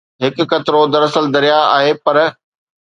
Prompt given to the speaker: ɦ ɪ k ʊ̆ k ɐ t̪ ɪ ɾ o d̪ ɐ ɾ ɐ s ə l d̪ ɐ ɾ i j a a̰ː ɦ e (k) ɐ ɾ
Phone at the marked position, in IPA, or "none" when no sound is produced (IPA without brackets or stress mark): p